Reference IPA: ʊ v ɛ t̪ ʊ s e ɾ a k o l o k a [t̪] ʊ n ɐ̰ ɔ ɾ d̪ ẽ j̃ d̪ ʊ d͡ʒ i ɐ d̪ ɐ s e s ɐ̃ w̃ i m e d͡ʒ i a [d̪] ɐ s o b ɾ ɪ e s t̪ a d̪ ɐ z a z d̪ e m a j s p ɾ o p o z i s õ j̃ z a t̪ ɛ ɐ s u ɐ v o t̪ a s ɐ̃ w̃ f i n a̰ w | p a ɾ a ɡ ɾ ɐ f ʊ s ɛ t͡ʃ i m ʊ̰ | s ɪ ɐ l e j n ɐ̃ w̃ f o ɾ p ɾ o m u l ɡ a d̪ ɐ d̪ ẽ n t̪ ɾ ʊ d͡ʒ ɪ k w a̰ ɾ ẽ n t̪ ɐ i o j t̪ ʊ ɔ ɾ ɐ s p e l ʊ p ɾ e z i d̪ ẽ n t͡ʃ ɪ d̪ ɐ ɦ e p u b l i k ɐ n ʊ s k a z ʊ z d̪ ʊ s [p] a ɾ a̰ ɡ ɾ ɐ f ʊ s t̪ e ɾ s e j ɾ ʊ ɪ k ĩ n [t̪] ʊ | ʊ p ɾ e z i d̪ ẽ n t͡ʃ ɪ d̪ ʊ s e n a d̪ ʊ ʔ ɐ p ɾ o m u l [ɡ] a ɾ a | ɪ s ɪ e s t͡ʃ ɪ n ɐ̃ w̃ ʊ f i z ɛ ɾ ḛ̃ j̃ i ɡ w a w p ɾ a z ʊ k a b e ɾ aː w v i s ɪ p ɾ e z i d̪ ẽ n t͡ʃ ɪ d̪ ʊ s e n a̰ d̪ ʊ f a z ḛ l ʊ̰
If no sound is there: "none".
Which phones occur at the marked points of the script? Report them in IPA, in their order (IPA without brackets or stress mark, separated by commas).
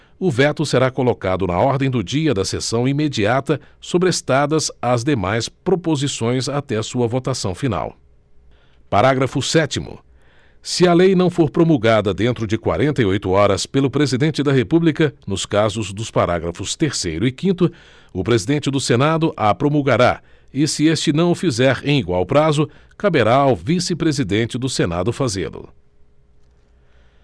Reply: d̪, t̪, p, t̪, ɡ